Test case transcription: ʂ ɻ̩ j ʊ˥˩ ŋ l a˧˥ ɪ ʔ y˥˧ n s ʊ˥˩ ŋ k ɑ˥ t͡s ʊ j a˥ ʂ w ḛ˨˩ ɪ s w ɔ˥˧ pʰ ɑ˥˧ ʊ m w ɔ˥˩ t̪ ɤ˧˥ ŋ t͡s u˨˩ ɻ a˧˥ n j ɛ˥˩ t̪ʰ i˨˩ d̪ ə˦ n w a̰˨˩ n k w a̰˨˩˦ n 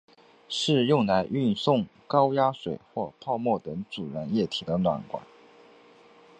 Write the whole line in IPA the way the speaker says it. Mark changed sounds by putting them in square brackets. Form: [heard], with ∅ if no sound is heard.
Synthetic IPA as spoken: ʂ ɻ̩ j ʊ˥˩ ŋ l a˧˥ ɪ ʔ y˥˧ n s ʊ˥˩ ŋ k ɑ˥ [∅] ʊ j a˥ ʂ w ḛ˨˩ ɪ [x] w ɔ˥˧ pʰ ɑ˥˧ ʊ m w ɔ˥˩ t̪ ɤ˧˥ ŋ t͡s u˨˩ ɻ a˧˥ n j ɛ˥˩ t̪ʰ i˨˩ d̪ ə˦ n w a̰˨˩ n k w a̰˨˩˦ n